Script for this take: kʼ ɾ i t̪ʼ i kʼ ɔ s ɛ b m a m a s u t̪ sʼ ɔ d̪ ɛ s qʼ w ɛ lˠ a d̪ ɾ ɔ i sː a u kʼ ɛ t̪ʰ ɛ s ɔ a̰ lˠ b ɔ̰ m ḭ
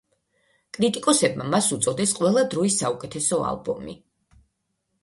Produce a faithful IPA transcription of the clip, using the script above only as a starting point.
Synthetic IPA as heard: kʼ ɾ i t̪ʼ i kʼ ɔ s ɛ b m a m a s u t̪ sʼ ɔ d̪ ɛ s qʼ w ɛ lˠ a d̪ ɾ ɔ i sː a u kʼ ɛ t̪ʰ ɛ s ɔ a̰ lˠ b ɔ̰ m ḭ